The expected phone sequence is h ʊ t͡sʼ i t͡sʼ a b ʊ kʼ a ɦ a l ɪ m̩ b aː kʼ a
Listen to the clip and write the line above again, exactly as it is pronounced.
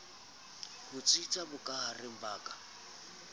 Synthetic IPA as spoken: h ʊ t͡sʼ i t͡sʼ a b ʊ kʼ a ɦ a r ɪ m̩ b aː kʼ a